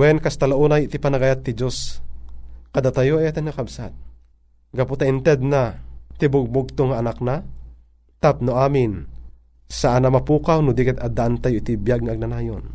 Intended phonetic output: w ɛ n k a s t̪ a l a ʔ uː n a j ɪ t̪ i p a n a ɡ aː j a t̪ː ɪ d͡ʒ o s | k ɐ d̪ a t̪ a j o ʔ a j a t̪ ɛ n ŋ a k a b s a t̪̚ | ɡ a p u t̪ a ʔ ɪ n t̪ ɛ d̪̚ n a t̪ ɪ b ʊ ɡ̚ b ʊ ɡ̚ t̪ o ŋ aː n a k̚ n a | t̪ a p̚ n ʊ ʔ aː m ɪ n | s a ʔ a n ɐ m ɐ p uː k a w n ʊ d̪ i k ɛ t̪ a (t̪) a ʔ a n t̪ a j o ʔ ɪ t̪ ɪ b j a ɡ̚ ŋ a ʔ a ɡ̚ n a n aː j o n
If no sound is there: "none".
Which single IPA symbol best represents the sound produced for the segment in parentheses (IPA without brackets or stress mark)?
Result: d̪